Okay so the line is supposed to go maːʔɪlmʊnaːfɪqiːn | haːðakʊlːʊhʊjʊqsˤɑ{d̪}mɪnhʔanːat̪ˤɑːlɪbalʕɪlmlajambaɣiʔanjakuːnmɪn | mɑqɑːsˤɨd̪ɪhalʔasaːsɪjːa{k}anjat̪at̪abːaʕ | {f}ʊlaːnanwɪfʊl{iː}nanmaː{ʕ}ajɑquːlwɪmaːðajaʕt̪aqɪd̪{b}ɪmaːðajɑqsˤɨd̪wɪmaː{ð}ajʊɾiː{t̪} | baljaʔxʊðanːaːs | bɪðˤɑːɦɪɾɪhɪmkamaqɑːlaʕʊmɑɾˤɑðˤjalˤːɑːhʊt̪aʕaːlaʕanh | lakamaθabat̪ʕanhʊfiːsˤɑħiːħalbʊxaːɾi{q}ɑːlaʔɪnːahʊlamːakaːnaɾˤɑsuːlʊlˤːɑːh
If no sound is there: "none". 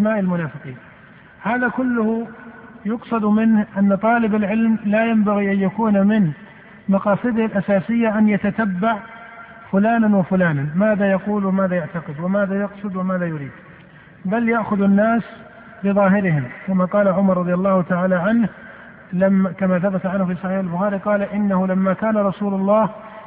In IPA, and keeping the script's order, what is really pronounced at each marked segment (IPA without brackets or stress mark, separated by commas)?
d̪, ʔ, f, aː, ð, w, ð, d̪, q